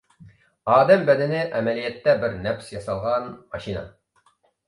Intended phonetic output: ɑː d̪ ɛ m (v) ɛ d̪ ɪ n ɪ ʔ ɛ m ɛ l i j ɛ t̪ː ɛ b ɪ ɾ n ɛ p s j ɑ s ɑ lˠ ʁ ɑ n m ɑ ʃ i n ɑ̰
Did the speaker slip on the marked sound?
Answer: yes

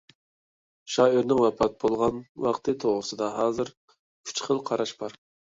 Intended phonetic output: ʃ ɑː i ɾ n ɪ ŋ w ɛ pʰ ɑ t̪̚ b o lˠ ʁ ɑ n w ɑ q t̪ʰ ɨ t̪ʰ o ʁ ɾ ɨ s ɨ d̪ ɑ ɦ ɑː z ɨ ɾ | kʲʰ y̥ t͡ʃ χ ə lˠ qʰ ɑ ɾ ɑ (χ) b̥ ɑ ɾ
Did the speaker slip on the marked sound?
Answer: yes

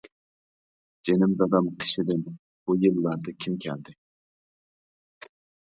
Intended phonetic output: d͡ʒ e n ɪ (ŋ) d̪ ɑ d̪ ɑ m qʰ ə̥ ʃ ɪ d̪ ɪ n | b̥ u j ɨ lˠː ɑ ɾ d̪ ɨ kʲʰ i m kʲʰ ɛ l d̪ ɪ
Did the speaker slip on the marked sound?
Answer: yes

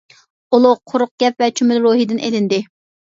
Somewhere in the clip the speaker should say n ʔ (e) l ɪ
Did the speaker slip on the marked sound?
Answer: no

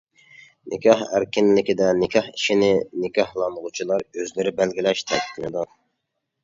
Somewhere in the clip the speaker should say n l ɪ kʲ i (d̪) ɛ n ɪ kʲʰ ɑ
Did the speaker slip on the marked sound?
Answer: no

